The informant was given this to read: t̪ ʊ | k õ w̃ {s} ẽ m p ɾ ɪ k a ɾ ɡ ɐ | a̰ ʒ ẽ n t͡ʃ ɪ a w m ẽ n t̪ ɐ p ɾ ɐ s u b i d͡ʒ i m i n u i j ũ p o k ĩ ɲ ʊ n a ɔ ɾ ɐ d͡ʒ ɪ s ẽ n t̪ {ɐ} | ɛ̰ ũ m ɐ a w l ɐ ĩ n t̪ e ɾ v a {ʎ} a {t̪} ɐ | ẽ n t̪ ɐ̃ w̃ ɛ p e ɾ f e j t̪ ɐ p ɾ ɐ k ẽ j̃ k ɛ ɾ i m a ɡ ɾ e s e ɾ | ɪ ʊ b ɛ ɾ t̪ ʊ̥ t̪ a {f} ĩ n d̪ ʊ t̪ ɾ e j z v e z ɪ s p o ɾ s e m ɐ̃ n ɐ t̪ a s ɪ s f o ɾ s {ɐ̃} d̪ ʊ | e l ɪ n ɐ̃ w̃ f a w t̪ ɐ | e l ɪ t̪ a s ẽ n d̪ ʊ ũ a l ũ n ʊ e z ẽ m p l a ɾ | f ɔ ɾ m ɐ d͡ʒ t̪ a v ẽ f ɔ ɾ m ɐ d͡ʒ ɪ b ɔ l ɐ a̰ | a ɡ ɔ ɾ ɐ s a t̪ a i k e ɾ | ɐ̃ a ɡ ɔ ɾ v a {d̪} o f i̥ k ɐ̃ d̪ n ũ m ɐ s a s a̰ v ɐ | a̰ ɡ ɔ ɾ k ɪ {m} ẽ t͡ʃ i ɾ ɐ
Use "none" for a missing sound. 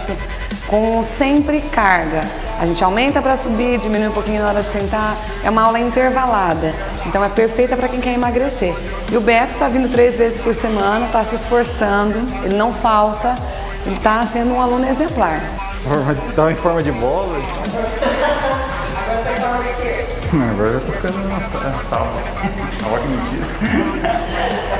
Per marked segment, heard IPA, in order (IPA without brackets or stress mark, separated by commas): s, a, l, d̪, v, ɐ̃, t̪, m